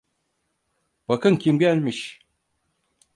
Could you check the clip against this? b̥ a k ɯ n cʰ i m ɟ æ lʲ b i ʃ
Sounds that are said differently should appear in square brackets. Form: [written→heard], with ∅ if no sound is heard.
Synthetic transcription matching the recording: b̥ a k ɯ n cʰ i m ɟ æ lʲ [b→m] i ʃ